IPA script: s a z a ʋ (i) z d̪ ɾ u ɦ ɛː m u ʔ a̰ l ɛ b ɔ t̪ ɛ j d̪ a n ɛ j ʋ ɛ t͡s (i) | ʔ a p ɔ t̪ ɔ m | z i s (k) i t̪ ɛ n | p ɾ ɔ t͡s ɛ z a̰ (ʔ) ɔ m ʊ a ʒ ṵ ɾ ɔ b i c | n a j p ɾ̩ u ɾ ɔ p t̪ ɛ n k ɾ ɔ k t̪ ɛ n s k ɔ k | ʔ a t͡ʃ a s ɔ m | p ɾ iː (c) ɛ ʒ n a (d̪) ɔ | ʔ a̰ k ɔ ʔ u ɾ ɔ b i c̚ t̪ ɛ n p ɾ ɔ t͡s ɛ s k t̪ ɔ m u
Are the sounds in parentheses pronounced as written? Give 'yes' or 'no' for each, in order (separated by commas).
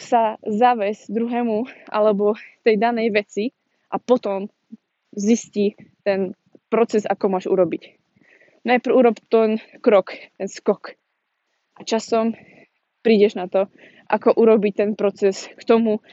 no, yes, no, no, no, no